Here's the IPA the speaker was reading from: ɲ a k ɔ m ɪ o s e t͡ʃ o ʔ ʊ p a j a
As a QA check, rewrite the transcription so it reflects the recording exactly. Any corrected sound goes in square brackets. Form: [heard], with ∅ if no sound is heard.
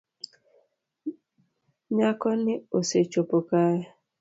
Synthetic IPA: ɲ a k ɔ [n] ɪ o s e t͡ʃ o [p] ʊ [k] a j a